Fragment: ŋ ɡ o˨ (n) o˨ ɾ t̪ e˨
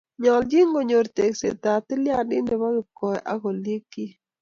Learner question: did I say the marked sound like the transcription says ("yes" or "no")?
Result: no